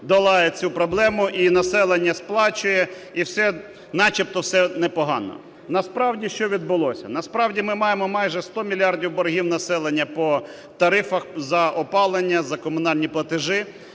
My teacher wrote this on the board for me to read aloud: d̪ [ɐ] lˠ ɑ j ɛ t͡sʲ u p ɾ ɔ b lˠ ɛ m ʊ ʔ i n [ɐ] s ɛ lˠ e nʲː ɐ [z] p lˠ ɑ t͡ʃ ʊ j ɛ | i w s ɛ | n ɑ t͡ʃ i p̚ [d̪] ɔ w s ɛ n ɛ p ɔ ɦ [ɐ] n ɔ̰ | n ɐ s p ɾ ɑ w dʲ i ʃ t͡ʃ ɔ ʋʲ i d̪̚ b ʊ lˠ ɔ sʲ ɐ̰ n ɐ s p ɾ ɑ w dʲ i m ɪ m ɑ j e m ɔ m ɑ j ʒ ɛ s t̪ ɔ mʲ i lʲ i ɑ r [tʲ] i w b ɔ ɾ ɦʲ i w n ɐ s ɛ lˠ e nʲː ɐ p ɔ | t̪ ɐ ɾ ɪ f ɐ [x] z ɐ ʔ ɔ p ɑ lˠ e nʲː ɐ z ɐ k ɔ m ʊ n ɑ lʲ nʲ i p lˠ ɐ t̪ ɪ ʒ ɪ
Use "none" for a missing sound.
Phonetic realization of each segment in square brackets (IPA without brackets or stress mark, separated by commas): ɐ, ɐ, s, t̪, ɑ, dʲ, x